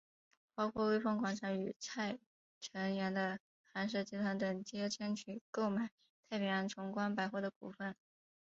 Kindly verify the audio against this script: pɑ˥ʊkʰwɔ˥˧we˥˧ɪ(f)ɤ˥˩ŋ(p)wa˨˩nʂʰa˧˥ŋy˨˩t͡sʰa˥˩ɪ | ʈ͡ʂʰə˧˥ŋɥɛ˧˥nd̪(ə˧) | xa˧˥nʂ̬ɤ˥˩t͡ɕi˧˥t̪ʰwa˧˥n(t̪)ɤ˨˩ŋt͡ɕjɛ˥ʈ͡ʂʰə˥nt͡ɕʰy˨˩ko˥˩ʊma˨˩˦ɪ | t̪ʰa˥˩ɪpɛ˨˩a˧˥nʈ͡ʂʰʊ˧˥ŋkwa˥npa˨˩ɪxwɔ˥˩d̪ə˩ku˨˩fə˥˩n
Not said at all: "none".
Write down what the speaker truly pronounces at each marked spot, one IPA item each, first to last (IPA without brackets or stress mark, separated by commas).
f, k, ə˧, t̪